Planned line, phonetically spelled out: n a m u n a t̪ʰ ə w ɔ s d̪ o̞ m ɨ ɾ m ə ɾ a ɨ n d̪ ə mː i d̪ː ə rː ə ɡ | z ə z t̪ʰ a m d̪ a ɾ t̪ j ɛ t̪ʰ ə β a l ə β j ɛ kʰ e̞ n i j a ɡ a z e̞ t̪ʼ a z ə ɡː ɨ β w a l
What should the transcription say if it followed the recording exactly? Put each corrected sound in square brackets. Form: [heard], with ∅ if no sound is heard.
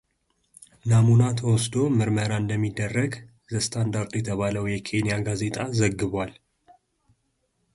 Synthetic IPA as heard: n a m u n a t̪ʰ ə w ɔ s d̪ o̞ m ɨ ɾ m ə ɾ a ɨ n d̪ ə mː i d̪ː ə rː ə ɡ | z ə [s] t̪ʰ a [n] d̪ a ɾ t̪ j ɛ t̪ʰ ə β a l ə [w] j ɛ kʰ e̞ n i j a ɡ a z e̞ t̪ʼ a z ə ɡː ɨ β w a l